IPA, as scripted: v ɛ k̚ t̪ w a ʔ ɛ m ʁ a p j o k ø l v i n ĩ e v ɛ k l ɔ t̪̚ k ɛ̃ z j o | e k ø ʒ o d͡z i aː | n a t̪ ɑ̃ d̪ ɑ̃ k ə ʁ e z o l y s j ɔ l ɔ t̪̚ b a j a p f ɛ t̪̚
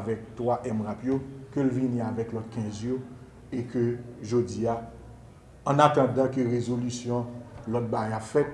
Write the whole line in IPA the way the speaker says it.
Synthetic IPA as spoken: v ɛ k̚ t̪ w a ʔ ɛ m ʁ a p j o k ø l v i n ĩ a v ɛ k l ɔ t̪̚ k ɛ̃ z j o | e k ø ʒ o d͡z i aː | n a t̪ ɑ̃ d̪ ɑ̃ k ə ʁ e z o l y s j ɔ̃ l ɔ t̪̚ b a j a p f ɛ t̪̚

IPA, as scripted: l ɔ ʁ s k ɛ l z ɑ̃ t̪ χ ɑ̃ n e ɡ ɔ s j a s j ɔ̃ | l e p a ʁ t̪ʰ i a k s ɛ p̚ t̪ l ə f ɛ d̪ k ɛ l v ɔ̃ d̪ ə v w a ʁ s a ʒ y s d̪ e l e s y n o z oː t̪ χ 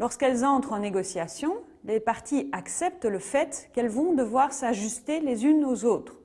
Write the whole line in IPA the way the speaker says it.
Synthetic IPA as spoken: l ɔ ʁ s k ɛ l z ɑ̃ t̪ χ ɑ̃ n e ɡ ɔ s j a s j ɔ̃ | l e p a ʁ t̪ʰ i a k s ɛ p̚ t̪ l ə f ɛ t̪ k ɛ l v ɔ̃ d̪ ə v w a ʁ s a ʒ y s t̪ e l e z y n o z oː t̪ χ

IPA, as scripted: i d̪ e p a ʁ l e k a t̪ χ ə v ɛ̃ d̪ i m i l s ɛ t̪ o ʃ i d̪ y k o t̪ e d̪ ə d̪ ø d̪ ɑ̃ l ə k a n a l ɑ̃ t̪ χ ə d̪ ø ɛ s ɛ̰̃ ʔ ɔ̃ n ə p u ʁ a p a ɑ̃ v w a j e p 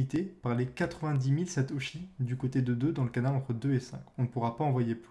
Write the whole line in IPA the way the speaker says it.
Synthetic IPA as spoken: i t̪ e p a ʁ l e k a t̪ χ ə v ɛ̃ d̪ i m i l s ɛ t̪ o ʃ i d̪ y k o t̪ e d̪ ə d̪ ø d̪ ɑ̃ l ə k a n a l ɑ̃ t̪ χ ə d̪ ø e s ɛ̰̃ k ɔ̃ n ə p u ʁ a p a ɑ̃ v w a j e p

